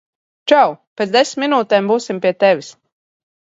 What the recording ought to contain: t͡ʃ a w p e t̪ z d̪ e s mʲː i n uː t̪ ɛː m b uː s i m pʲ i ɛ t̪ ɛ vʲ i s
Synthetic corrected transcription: t͡ʃ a w p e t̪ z d̪ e s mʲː i n uː t̪ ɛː m b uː s i m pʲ i ɛ t̪ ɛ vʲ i s